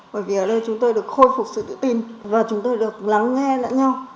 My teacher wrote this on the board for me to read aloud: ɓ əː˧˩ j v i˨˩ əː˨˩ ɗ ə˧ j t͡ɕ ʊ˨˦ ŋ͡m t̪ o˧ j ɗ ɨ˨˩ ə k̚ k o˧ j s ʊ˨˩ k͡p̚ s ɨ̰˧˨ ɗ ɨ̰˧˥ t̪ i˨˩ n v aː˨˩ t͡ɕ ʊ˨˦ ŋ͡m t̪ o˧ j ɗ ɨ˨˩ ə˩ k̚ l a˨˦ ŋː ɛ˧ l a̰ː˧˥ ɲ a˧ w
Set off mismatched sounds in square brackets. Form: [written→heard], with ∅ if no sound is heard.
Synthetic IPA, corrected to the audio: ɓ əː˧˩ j v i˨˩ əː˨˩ ɗ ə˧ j t͡ɕ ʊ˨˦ ŋ͡m t̪ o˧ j ɗ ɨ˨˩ ə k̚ [k→x] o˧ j [s→f] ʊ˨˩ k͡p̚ s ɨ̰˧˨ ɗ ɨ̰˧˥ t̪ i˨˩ n v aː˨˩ t͡ɕ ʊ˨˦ ŋ͡m t̪ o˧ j ɗ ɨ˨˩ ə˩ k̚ l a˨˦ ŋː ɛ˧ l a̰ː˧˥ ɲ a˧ w